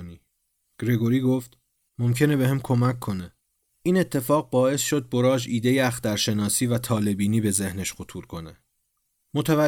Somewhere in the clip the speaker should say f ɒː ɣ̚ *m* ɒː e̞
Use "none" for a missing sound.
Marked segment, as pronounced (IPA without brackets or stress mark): b